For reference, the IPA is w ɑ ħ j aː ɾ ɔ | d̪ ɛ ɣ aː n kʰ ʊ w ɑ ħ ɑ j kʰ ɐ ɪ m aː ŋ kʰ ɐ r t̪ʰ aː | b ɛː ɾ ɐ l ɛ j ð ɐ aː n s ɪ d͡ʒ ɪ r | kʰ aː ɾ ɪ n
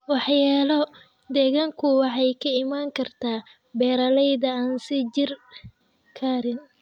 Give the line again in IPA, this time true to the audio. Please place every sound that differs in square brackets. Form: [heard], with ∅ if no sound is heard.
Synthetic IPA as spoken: w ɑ ħ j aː [l] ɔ | d̪ ɛ ɣ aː [ŋ] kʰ ʊ w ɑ ħ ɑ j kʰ ɐ ɪ m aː ŋ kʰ ɐ r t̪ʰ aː | b ɛː ɾ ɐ l ɛ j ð ɐ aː n s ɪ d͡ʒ ɪ r | kʰ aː ɾ ɪ n